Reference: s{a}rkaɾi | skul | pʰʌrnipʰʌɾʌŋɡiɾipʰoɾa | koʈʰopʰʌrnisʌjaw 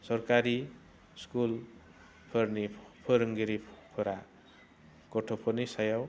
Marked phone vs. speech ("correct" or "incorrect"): incorrect